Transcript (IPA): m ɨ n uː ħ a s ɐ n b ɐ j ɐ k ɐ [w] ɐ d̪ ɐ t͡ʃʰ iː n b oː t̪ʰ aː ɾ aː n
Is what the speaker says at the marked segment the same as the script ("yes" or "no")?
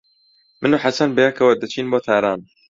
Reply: yes